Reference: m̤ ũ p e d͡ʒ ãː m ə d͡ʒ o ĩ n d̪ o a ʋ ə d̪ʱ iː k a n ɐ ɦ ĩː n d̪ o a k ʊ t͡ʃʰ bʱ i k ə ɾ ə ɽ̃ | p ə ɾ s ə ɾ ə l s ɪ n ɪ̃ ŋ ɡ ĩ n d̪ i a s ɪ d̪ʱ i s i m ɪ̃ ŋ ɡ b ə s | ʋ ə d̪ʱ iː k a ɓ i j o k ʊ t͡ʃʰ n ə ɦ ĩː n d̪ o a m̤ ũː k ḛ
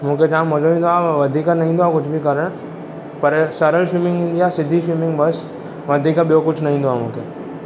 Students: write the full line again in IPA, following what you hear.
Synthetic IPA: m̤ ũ k e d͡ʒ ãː m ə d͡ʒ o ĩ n d̪ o a ʋ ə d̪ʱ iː k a n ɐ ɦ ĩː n d̪ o a k ʊ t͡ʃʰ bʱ i k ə ɾ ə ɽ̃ | p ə ɾ s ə ɾ ə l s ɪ m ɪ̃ ŋ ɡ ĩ n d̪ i a s ɪ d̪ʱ i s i m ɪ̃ ŋ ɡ b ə s | ʋ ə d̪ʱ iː k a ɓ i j o k ʊ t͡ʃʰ n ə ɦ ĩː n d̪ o a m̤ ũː k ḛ